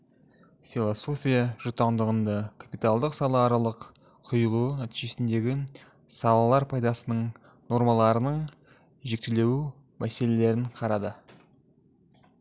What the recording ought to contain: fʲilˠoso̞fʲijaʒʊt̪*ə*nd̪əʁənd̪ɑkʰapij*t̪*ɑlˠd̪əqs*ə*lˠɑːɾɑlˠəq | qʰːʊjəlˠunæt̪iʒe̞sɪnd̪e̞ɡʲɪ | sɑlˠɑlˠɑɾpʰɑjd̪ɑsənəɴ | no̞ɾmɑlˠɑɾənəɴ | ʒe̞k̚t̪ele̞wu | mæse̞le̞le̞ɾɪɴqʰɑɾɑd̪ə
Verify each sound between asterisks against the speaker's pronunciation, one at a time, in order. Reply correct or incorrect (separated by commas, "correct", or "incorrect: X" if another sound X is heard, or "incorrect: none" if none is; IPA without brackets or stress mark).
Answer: incorrect: ɑ, correct, incorrect: ɑ